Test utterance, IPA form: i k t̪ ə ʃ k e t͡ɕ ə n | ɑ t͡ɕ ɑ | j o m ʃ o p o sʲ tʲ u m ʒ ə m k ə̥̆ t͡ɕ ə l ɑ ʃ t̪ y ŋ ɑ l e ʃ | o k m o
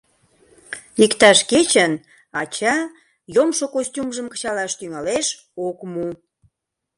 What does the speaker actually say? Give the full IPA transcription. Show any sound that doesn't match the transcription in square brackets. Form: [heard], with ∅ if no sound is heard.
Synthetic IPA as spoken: i k t̪ [ɑ] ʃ k e t͡ɕ ə n | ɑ t͡ɕ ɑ | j o m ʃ o [k] o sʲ tʲ u m ʒ ə m k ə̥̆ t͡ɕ [ɑ] l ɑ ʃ t̪ y ŋ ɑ l e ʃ | o k m [u]